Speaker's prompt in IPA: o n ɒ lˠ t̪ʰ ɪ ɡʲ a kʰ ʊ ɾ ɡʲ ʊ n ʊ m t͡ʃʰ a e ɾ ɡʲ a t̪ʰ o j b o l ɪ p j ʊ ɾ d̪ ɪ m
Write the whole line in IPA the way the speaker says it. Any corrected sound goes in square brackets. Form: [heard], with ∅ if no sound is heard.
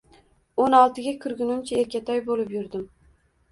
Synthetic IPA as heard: o n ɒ lˠ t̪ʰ ɪ ɡʲ a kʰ ʊ ɾ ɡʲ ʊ n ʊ m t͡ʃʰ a e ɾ [kʲ] a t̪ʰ [ɒ] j b o l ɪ p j ʊ ɾ d̪ ɪ m